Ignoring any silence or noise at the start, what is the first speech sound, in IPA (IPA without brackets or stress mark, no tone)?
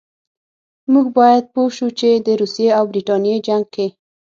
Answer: m